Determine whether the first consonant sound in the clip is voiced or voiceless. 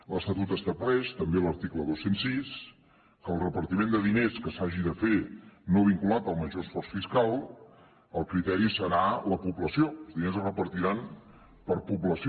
voiced